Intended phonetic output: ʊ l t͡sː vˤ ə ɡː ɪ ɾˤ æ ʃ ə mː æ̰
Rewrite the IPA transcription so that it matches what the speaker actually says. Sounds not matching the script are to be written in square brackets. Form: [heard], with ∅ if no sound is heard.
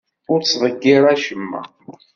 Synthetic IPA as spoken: ʊ [ɾ] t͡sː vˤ ə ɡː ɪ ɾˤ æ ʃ ə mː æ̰